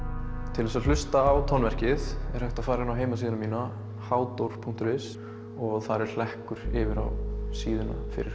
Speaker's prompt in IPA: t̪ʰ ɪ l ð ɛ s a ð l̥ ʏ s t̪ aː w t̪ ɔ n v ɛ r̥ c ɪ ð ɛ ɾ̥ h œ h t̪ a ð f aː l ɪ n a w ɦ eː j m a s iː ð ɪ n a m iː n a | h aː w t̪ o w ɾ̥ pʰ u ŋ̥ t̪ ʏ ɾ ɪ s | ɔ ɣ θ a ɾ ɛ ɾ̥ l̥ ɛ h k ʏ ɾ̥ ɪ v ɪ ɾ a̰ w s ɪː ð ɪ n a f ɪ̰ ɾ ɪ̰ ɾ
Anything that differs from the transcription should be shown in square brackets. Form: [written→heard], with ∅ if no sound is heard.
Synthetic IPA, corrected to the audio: t̪ʰ ɪ l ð ɛ s a ð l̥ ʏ s t̪ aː w [t̪→t̪ʰ] ɔ n v ɛ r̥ c ɪ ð ɛ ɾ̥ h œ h t̪ a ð f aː [l→ɾ] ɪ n a w ɦ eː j m a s iː ð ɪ n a m iː n a | h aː w t̪ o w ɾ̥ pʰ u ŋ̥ t̪ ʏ ɾ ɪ s | ɔ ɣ θ a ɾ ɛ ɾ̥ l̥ ɛ h k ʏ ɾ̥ ɪ v ɪ ɾ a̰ w s [ɪː→iː] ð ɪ n a f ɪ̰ ɾ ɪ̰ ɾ